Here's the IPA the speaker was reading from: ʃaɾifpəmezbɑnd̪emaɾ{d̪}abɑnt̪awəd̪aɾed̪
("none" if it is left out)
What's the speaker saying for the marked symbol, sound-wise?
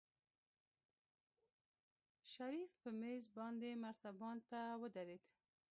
t̪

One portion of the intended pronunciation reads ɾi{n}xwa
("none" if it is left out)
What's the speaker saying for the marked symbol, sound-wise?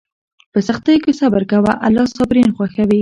n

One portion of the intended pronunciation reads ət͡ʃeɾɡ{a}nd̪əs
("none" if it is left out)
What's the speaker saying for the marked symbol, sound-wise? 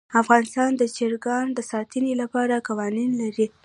ɑ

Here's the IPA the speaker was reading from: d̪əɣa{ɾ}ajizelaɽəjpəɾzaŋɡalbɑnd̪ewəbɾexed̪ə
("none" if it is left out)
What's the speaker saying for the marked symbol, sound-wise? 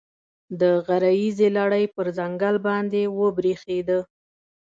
ɾ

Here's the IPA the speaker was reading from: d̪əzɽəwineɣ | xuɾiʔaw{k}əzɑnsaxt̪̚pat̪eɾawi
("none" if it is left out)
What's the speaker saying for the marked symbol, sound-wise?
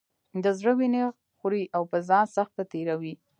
p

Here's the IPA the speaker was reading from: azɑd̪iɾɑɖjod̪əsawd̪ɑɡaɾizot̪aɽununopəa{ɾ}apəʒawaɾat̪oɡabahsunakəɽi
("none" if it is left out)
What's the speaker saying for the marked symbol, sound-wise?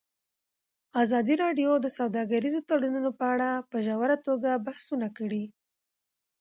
ɽ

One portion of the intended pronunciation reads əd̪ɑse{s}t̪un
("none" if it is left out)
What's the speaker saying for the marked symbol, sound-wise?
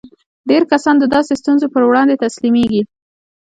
s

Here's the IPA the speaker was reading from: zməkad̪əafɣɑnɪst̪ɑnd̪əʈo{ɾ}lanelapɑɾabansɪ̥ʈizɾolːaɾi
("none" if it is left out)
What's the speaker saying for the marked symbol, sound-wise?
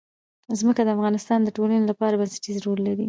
none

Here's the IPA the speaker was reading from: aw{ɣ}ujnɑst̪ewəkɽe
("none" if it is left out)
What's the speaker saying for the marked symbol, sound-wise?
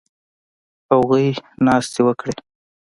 ɣ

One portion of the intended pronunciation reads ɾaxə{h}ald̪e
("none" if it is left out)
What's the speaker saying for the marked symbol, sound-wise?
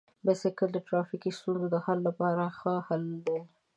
h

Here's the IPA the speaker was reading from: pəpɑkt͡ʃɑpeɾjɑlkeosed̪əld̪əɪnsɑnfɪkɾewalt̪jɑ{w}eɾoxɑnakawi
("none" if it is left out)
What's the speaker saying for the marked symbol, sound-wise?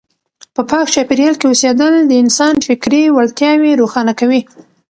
w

